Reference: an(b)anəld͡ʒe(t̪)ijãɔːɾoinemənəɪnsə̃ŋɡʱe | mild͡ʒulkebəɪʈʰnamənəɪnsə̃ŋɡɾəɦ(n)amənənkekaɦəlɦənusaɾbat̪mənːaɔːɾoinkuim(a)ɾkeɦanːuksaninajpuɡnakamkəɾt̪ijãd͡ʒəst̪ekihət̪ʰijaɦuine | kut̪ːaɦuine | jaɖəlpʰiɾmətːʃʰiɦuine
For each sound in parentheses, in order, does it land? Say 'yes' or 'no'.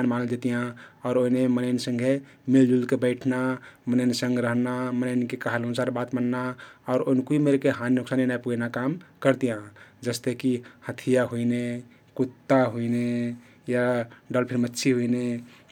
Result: no, yes, yes, no

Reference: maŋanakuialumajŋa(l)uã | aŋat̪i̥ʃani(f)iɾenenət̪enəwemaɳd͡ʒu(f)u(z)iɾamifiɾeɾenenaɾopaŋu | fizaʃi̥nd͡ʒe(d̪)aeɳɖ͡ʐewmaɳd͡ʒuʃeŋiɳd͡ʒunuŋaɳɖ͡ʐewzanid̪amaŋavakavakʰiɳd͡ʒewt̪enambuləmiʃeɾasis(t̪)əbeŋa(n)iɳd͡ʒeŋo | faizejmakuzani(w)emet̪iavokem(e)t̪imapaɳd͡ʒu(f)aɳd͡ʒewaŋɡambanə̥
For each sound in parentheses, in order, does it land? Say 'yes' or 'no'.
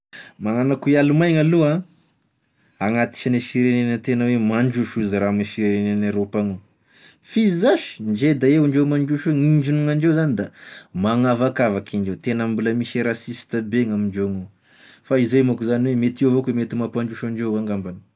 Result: yes, yes, no, yes, yes, yes, no, yes, yes, no

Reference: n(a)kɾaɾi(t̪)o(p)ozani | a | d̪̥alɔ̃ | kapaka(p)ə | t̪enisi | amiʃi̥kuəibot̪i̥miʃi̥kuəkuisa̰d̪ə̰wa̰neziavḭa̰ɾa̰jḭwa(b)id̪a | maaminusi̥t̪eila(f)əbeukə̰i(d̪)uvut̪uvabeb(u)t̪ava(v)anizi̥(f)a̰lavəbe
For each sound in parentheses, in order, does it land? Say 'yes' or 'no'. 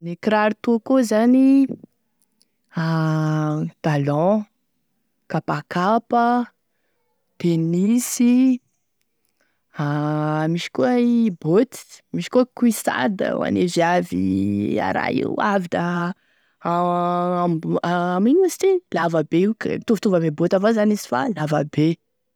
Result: no, yes, no, yes, no, no, no, no, no, yes

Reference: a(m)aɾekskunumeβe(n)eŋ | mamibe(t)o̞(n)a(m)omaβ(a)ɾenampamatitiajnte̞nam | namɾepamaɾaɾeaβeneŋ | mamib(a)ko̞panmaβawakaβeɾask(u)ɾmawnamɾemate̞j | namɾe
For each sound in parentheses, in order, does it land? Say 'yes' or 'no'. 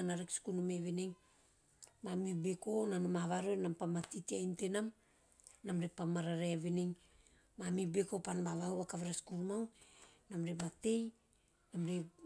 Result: no, yes, no, yes, no, yes, no, yes

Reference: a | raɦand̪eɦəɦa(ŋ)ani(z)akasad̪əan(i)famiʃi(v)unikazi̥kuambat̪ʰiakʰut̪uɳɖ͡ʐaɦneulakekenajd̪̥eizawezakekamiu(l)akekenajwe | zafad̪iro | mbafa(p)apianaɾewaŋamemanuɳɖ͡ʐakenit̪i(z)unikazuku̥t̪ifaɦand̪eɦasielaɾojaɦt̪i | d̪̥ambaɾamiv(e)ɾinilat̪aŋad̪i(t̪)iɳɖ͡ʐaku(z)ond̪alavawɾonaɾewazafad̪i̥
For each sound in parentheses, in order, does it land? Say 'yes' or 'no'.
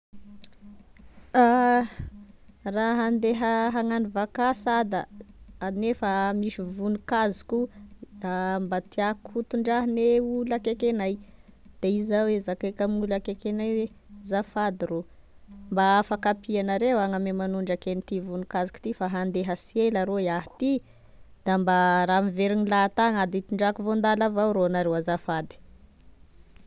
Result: yes, no, no, yes, yes, no, no, yes, yes, no

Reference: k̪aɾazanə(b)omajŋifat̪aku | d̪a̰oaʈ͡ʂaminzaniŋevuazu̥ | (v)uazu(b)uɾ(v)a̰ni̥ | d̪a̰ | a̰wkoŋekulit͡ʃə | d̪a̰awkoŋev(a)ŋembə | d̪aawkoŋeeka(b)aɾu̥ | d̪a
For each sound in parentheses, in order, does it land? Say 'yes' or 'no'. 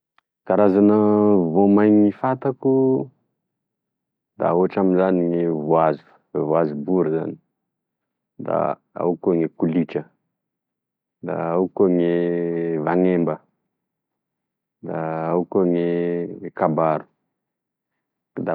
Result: no, yes, yes, no, yes, yes

